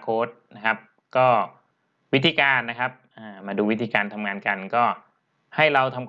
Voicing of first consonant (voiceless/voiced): voiceless